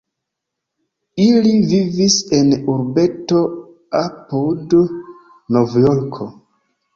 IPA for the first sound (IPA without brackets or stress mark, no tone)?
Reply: i